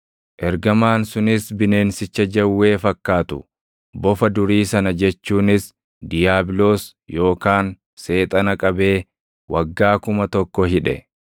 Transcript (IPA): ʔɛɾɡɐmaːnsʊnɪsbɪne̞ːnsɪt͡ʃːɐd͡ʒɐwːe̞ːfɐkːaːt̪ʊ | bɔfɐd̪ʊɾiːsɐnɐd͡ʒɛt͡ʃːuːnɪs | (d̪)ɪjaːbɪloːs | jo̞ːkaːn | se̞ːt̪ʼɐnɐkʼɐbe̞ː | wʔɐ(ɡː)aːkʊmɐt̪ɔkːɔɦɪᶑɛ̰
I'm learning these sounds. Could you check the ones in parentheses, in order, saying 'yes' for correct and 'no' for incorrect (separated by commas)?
yes, yes